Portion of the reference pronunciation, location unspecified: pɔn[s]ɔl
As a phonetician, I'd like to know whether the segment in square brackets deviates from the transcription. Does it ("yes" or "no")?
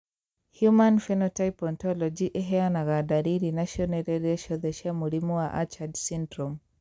yes